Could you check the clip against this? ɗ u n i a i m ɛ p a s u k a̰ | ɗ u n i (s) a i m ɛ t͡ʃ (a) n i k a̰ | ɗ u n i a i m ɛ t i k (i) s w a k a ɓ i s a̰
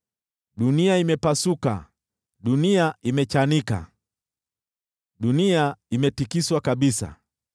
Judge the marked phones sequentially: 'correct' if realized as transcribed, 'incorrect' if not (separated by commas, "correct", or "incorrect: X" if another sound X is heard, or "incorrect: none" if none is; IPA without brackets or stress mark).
incorrect: none, correct, correct